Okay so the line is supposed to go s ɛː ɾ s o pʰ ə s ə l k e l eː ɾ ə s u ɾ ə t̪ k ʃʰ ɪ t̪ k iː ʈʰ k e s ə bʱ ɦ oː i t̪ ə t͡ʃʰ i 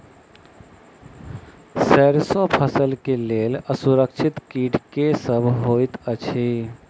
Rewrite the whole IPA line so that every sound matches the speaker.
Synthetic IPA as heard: s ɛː ɾ s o pʰ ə s ə l k e l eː l ə s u ɾ ə k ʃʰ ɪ t̪ k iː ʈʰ k e s ə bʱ ɦ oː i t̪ ə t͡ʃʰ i